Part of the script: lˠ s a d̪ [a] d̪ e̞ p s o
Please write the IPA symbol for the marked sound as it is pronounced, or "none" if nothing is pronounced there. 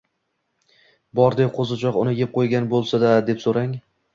a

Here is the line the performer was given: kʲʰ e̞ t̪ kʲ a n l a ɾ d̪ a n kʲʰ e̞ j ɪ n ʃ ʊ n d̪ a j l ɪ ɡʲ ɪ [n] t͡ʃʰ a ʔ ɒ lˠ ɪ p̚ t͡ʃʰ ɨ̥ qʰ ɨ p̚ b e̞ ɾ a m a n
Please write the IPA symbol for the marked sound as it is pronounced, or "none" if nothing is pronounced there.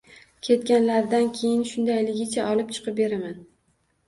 none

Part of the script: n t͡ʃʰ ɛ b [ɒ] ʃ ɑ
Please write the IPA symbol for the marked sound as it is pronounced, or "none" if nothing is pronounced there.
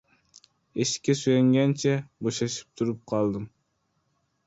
o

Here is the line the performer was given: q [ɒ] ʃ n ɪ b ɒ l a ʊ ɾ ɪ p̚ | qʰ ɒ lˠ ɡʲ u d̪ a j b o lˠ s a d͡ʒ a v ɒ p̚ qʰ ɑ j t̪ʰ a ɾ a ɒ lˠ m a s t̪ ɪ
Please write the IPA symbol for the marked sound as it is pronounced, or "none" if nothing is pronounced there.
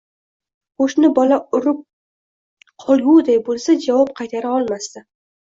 o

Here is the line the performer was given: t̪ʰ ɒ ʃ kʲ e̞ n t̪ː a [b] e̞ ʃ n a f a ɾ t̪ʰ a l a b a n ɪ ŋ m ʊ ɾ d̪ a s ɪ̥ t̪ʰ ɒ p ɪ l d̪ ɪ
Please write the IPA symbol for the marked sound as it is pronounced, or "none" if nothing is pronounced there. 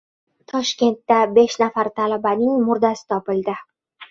b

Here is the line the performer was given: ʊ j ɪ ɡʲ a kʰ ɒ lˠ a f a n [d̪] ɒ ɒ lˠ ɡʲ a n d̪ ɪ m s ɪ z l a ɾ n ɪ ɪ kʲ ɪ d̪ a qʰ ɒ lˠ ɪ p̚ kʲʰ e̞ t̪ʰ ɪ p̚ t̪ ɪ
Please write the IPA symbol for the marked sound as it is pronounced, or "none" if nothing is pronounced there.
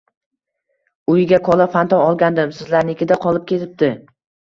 t̪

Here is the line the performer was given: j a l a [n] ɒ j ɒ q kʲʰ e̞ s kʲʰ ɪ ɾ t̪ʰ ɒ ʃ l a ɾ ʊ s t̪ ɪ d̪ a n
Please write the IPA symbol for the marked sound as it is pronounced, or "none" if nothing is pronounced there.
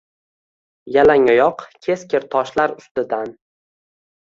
ŋ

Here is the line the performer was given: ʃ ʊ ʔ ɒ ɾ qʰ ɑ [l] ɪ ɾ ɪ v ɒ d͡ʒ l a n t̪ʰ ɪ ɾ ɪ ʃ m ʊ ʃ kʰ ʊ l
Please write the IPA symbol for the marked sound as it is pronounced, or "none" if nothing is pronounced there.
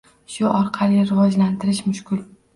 l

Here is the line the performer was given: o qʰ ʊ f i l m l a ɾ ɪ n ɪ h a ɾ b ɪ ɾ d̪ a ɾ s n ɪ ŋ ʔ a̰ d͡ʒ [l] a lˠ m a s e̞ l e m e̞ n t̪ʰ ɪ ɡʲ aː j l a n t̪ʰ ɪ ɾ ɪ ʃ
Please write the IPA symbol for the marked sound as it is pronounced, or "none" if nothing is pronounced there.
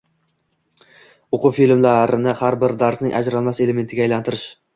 ɾ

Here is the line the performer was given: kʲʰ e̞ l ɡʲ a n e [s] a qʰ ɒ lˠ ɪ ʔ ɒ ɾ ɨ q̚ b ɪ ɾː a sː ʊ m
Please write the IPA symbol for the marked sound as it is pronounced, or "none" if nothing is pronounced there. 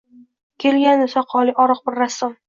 s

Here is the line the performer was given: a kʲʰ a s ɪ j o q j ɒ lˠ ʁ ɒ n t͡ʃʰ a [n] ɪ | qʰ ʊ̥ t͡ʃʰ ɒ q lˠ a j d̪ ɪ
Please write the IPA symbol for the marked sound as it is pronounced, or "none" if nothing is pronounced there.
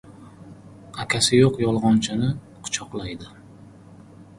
n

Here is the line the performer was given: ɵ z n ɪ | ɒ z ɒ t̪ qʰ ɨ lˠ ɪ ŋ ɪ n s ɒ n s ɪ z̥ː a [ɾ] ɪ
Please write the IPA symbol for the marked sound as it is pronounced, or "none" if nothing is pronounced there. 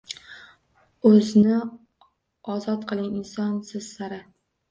ɾ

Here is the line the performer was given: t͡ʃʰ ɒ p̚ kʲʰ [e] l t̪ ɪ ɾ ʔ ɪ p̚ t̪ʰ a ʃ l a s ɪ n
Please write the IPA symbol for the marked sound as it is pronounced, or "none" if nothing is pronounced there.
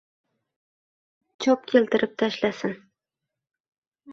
e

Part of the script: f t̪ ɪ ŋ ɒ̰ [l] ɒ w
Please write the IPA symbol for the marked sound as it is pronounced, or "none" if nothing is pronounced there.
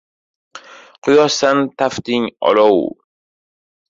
l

